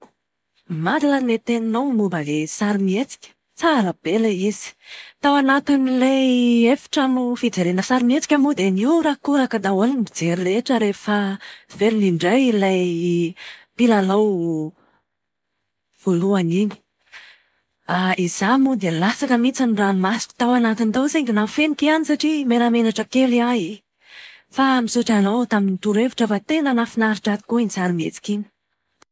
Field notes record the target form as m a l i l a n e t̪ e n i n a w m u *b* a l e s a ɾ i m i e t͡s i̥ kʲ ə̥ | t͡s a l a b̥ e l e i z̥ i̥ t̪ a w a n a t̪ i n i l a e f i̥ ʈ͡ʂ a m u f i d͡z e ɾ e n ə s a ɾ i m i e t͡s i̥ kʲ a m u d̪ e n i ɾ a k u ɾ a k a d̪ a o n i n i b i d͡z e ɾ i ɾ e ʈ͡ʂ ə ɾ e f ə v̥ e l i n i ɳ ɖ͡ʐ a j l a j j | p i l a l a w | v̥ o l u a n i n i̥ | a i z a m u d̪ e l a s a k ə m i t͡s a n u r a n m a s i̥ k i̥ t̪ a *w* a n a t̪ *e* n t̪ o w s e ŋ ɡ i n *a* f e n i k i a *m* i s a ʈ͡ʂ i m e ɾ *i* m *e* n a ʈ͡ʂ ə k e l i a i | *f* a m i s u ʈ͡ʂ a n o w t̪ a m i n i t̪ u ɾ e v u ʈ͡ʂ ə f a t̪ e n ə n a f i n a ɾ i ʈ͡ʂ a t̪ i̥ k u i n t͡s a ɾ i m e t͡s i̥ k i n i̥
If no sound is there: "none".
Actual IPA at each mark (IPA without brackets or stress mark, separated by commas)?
b, w, i, a, n, a, e, f